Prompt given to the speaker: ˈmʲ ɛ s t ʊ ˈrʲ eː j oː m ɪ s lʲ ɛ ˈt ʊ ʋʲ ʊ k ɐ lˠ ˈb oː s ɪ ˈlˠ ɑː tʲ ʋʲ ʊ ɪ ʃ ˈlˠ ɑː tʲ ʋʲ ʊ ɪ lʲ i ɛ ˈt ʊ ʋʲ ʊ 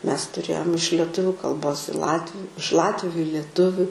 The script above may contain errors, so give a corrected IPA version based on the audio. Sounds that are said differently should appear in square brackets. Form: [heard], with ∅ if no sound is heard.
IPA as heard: ˈmʲ ɛ s t ʊ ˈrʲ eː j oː m ɪ [ʃ] lʲ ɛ ˈt ʊ ʋʲ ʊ k ɐ lˠ ˈb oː s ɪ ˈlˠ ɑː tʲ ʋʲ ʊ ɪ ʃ ˈlˠ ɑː tʲ ʋʲ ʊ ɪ lʲ i ɛ ˈt ʊ ʋʲ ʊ